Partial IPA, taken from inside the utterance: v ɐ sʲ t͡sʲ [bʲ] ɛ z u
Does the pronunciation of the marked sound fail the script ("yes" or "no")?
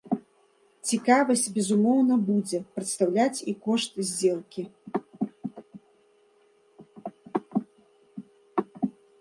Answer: no